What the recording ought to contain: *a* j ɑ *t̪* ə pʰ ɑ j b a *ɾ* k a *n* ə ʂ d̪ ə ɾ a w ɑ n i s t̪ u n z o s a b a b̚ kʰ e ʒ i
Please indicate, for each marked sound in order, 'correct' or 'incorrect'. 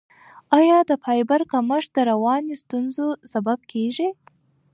incorrect, incorrect, correct, incorrect

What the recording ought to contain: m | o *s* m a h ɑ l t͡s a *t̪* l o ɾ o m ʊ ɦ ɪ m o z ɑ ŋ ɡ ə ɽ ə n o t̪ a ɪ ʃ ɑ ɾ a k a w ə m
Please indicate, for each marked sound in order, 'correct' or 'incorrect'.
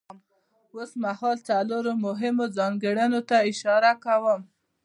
correct, incorrect

